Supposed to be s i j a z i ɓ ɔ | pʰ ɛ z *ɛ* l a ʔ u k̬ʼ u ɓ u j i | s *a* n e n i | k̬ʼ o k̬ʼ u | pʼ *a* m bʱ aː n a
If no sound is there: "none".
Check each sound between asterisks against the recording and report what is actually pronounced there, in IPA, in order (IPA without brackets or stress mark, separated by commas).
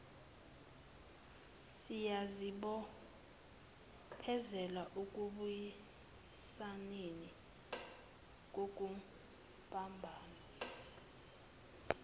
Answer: ɛ, a, a